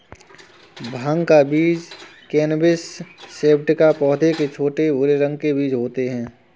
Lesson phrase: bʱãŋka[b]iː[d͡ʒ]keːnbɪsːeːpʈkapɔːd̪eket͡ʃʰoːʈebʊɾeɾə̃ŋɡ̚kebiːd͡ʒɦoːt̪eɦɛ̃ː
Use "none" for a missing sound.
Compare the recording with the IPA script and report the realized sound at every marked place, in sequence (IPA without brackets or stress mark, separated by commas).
b, d͡ʒ